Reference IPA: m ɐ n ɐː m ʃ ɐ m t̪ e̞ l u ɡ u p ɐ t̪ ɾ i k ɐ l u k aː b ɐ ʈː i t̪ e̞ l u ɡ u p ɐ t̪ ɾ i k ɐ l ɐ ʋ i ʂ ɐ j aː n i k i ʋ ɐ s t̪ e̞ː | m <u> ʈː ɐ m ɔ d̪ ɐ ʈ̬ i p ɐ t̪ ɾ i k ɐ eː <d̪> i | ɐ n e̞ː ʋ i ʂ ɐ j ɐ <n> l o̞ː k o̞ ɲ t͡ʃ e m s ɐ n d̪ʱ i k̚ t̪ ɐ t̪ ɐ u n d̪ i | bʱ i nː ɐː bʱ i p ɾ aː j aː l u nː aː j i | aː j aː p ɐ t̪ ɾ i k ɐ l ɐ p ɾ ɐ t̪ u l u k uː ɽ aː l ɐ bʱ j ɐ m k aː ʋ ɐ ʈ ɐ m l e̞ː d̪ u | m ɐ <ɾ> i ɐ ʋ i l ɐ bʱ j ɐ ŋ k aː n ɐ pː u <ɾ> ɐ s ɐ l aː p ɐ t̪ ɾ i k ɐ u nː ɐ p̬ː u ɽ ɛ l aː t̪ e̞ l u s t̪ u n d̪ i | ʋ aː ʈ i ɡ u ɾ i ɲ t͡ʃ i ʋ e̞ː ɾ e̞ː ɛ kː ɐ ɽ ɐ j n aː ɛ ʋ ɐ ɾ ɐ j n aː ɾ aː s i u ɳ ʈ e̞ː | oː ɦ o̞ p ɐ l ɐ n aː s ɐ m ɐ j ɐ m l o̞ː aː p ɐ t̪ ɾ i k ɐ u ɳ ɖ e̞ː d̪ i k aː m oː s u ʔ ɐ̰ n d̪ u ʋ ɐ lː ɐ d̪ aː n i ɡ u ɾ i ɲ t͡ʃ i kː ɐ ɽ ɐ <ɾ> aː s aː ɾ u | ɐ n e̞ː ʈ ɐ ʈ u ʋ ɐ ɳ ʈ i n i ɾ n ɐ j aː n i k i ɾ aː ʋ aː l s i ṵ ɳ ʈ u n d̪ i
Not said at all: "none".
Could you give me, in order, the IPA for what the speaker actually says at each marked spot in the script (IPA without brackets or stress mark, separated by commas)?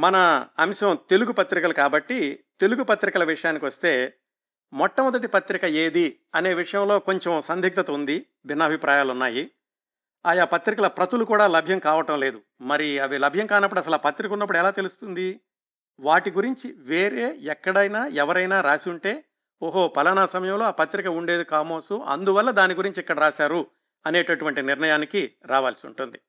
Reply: ɔ, d̪, m, ɾ, ɽ, ɾ